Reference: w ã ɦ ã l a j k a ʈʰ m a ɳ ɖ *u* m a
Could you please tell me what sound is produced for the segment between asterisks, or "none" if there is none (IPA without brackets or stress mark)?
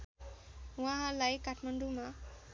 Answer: u